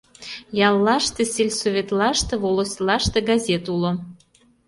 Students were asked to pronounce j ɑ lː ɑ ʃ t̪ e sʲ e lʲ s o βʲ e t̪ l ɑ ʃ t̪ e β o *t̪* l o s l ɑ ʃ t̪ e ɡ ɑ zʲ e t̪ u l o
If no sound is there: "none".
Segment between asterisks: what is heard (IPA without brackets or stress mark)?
none